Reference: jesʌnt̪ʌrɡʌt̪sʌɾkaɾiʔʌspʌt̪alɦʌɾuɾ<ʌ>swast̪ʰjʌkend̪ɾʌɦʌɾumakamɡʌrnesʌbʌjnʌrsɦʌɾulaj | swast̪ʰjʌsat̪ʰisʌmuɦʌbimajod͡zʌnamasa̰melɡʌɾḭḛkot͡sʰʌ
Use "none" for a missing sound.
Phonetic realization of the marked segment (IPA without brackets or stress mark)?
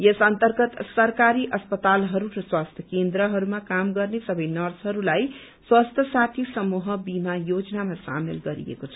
ʌ